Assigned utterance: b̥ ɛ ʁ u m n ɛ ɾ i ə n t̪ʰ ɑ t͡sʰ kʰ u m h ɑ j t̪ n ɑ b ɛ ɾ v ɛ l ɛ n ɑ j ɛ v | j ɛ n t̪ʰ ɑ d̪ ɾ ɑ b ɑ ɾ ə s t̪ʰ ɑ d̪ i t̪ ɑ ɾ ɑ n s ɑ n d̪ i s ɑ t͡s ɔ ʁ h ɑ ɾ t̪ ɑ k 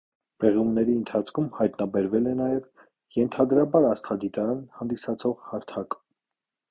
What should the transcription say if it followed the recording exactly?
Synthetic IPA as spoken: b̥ ɛ ʁ u m n ɛ ɾ i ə n t̪ʰ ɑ t͡sʰ kʰ u m h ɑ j t̪ n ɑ b ɛ ɾ v ɛ l ɛ n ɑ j ɛ v | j ɛ n t̪ʰ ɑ d̪ ɾ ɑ b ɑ ɾ ɑ s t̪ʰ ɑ d̪ i t̪ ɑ ɾ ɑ n h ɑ n d̪ i s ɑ t͡sʰ ɔ ʁ h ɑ ɾ t̪ʰ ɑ k

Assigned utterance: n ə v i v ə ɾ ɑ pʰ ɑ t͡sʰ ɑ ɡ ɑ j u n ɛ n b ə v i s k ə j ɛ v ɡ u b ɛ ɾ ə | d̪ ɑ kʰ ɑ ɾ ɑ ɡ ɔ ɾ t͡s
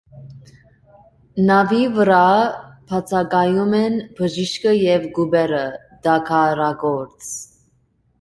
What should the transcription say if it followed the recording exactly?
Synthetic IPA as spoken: n ɑ v i v ə ɾ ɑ pʰ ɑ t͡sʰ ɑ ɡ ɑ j u m ɛ n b ə ʒ i ʃ k ə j ɛ v ɡ u b ɛ ɾ ə | d̪ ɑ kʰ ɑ ɾ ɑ ɡ ɔ ɾ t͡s

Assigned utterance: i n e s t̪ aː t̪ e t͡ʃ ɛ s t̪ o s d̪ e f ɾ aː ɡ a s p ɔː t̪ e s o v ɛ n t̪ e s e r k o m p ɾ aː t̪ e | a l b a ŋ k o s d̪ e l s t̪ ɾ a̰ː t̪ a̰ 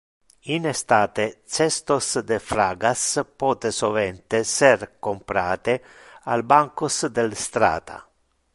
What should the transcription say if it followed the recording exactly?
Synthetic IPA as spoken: i n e s t̪ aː t̪ e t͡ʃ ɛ s t̪ o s d̪ e f ɾ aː ɡ a s p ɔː t̪ e s o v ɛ n t̪ e s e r k o m p ɾ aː t̪ e | a l b a ŋ k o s d̪ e l s t̪ ɾ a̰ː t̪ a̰

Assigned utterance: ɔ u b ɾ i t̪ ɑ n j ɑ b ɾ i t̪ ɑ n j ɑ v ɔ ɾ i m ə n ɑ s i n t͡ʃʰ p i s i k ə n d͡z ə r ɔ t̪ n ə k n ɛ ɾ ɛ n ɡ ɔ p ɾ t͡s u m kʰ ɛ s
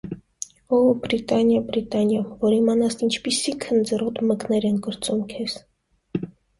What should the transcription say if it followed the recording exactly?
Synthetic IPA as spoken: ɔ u b ɾ i t̪ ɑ n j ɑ b ɾ i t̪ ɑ n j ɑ v ɔ ɾ i m ɑ n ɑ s i n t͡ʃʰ p i s i kʰ ə n d͡z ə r ɔ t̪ m ə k n ɛ ɾ ɛ n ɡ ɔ ɾ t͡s u m kʰ ɛ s

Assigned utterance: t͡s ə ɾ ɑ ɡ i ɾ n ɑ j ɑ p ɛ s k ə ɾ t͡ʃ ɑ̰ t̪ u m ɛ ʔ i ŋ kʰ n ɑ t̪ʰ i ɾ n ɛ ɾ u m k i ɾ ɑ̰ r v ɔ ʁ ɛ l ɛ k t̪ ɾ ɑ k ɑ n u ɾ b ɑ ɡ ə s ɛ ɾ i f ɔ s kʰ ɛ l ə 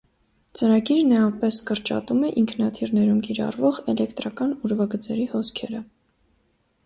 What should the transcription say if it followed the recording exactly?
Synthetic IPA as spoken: t͡s ə ɾ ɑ ɡ i ɾ n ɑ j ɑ p ɛ s k ə ɾ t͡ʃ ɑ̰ t̪ u m ɛ ʔ i ŋ kʰ n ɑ t̪ʰ i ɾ n ɛ ɾ u m k i ɾ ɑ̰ r v ɔ ʁ ɛ l ɛ k t̪ ɾ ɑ k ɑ n u ɾ v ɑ ɡ ə t͡s ɛ ɾ i h ɔ s kʰ ɛ ɾ ə

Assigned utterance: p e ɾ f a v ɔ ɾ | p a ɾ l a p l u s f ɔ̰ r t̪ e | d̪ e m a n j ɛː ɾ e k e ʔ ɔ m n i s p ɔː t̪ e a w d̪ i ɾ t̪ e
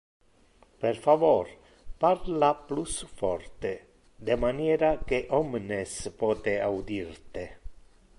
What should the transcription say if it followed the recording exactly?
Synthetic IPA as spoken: p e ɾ f a v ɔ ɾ | p a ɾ l a p l u s f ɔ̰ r t̪ e | d̪ e m a n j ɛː ɾ a k e ʔ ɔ m n e s p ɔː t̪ e a w d̪ i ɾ t̪ e

